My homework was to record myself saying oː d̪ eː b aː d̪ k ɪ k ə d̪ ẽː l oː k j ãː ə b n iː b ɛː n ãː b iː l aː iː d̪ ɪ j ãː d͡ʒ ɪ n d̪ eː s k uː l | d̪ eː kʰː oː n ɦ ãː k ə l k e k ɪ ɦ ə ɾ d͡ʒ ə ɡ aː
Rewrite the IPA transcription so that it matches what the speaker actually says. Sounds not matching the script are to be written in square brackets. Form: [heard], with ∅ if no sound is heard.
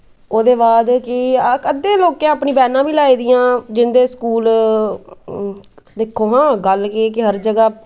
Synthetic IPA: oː d̪ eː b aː d̪ k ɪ k ə d̪ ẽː l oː k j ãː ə [p] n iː b ɛː n ãː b iː l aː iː d̪ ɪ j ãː d͡ʒ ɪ n d̪ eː s k uː l | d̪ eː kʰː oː [∅] ɦ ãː [ɡ] ə l k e k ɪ ɦ ə ɾ d͡ʒ ə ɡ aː